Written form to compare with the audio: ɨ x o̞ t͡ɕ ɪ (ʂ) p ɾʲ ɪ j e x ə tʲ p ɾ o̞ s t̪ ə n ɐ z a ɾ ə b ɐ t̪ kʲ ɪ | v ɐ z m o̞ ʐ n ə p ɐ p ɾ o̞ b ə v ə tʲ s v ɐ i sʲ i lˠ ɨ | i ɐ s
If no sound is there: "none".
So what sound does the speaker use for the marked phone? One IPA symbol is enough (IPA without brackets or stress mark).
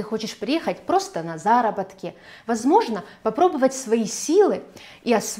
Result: ʂ